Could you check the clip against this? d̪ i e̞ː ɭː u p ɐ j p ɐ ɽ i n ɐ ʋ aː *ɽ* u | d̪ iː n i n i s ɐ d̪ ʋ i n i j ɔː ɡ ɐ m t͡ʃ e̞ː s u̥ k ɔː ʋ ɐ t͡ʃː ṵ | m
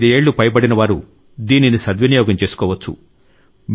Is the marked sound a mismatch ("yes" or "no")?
yes